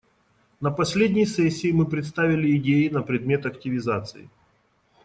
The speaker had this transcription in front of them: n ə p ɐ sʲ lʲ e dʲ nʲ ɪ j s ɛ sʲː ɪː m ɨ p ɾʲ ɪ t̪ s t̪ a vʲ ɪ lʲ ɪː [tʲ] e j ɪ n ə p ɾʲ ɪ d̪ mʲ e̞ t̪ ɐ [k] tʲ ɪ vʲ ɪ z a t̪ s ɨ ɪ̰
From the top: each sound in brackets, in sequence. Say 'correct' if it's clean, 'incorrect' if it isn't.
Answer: incorrect: dʲ, correct

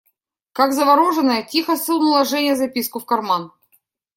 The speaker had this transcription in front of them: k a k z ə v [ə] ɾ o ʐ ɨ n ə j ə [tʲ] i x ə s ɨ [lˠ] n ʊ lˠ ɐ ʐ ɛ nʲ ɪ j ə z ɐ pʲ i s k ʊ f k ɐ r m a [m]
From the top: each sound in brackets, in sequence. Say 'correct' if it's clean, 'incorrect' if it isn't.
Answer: incorrect: ɐ, correct, correct, incorrect: n

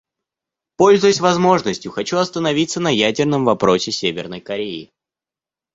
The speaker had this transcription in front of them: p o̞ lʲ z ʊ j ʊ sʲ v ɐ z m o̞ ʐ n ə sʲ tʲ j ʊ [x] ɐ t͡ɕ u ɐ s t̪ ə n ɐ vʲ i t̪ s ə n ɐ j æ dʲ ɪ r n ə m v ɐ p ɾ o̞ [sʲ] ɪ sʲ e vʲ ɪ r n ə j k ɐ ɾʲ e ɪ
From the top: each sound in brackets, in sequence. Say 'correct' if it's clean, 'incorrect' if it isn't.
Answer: correct, correct

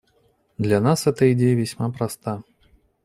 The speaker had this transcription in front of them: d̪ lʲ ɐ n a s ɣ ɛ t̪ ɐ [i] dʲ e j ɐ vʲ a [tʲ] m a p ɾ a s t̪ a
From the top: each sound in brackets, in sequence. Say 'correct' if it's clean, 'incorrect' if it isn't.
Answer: correct, incorrect: sʲ

